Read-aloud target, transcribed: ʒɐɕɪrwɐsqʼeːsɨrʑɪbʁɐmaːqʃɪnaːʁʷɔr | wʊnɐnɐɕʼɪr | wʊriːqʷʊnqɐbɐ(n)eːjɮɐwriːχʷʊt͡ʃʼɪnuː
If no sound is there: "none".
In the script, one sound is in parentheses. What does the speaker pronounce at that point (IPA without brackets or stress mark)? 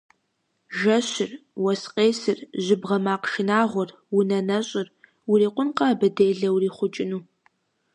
d